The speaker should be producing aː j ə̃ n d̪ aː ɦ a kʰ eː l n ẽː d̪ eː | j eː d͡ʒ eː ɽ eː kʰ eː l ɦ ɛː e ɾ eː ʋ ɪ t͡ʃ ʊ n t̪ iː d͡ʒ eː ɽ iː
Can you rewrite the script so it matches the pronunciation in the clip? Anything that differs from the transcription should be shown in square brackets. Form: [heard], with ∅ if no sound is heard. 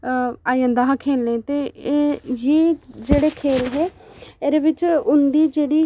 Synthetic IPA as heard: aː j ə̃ n d̪ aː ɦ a kʰ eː l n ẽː [t̪] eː | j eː d͡ʒ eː ɽ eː kʰ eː l ɦ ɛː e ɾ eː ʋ ɪ t͡ʃ ʊ n [d̪] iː d͡ʒ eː ɽ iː